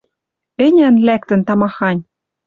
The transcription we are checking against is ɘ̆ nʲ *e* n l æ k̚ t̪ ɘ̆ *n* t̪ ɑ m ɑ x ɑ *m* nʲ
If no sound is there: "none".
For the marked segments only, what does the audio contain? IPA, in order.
æ, n, none

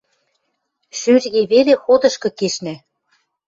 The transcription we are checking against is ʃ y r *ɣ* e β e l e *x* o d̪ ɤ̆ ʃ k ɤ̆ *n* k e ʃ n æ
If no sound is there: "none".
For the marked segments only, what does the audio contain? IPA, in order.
ɣ, x, none

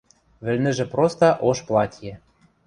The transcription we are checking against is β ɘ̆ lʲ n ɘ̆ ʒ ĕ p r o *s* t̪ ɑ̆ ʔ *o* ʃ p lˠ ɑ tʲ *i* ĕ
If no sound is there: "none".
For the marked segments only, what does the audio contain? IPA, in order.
s, o, j

